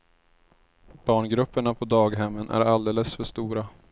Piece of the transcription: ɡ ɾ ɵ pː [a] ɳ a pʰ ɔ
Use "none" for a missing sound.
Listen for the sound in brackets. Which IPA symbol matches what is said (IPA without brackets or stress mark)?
ə